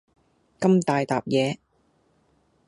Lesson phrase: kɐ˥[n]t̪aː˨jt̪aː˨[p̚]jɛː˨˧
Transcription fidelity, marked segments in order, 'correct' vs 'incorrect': incorrect: m, correct

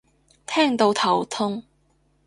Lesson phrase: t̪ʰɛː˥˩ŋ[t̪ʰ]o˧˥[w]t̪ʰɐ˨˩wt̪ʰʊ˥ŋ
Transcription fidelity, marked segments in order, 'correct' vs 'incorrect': incorrect: t̪, correct

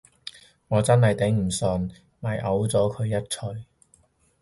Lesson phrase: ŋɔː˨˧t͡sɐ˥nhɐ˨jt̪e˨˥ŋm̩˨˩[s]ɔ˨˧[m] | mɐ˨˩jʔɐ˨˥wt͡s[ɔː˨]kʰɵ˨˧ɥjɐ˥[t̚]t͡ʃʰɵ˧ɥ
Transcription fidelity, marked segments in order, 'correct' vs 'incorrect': correct, incorrect: n, incorrect: ɔː˨˥, correct

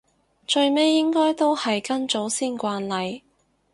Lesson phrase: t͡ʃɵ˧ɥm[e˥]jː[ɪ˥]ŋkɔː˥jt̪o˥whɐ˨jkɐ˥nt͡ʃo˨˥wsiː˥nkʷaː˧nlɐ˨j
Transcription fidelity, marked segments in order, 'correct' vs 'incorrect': correct, correct

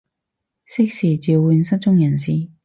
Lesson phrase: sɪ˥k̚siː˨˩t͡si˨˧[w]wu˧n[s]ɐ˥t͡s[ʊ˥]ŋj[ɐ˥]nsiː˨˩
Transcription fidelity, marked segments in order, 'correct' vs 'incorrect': correct, correct, correct, incorrect: ɐ˨˩

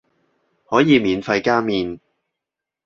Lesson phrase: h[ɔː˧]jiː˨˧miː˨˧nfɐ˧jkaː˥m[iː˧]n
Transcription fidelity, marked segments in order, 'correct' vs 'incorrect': incorrect: ɔː˨˥, correct

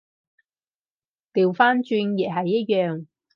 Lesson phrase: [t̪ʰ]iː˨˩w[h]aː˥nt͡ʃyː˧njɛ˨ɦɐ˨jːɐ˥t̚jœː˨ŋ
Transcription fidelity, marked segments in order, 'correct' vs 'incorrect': incorrect: t̪, incorrect: f

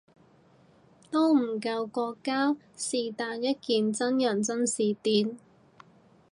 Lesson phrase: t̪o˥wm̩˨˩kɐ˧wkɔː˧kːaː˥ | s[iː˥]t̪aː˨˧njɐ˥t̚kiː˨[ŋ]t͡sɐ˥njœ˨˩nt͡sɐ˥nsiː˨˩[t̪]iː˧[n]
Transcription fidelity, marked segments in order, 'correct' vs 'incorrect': incorrect: iː˨, incorrect: n, correct, correct

